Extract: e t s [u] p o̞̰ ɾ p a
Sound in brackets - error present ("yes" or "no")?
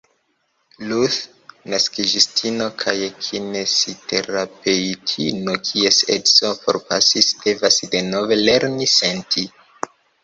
yes